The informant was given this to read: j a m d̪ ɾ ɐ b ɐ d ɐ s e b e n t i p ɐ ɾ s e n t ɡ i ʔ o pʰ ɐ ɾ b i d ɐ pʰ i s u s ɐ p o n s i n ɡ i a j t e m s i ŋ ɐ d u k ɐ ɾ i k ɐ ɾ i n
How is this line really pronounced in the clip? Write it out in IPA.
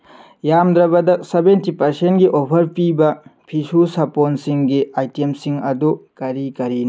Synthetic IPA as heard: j a m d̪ ɾ ɐ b ɐ d ɐ s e b e n t i p ɐ ɾ s e n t ɡ i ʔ o pʰ ɐ ɾ p i b ɐ pʰ i s u s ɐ p o n s i ŋ ɡ i a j t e m s i ŋ ɐ d u k ɐ ɾ i k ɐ ɾ i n